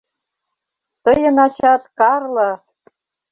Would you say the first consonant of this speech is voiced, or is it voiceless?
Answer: voiceless